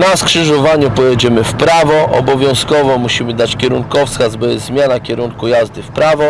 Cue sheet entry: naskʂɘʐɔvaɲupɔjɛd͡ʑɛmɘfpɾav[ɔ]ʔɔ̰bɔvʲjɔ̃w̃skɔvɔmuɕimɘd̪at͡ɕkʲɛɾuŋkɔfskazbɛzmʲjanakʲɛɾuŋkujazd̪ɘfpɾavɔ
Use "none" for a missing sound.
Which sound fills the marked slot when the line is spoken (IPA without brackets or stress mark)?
ɔ